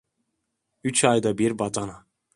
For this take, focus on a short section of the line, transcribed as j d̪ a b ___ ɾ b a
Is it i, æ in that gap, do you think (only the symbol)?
i